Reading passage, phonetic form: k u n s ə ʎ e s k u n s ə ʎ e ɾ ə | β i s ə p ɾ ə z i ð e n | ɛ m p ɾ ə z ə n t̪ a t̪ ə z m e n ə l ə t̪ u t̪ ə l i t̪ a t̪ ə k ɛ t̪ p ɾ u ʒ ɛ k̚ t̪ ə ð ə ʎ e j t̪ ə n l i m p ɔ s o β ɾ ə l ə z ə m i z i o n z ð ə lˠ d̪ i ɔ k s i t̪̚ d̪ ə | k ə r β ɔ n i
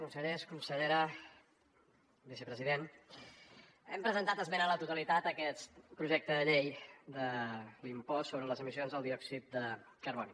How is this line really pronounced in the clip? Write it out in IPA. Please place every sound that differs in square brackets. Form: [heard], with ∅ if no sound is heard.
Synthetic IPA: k u n s ə ʎ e s k u n s ə ʎ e ɾ ə | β i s ə p ɾ ə z i ð e n | ɛ m p ɾ ə z ə n t̪ a t̪ ə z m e n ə l ə t̪ u t̪ ə l i t̪ a t̪ ə k ɛ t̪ p ɾ u ʒ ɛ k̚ t̪ ə ð ə ʎ e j [d̪] ə [∅] l i m p ɔ s o β ɾ ə l ə z ə m i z i o n z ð ə lˠ d̪ i ɔ k s i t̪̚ d̪ ə | k ə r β ɔ n i